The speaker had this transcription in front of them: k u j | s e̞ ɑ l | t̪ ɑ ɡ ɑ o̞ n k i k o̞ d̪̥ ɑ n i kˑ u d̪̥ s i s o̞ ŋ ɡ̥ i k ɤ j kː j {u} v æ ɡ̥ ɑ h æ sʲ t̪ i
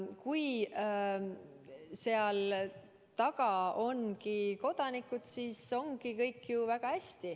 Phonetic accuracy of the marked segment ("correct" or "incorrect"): correct